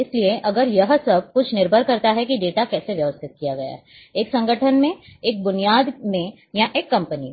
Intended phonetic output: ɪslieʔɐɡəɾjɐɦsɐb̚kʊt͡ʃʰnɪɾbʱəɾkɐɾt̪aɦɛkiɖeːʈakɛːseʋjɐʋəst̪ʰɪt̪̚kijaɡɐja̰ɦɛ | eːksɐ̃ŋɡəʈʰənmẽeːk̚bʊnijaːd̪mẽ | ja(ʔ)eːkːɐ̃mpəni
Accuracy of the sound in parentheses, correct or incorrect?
correct